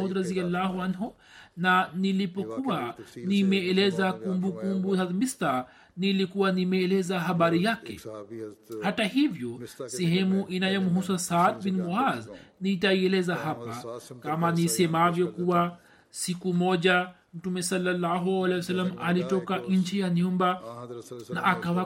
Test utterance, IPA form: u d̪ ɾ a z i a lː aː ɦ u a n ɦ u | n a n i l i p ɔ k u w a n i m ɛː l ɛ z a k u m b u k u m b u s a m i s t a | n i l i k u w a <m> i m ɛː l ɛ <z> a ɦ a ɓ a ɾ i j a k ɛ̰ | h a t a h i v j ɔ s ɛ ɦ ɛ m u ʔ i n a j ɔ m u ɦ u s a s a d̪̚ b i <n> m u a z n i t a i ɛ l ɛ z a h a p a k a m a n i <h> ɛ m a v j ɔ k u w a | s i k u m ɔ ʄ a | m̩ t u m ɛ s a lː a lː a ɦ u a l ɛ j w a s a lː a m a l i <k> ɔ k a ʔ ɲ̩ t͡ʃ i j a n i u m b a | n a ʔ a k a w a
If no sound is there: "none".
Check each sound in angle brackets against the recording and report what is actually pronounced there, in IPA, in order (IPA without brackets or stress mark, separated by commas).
n, z, n, s, t